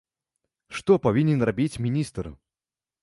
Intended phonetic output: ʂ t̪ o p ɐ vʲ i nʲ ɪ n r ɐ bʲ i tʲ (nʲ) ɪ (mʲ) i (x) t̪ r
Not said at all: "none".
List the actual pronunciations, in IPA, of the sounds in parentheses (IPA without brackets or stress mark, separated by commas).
mʲ, nʲ, s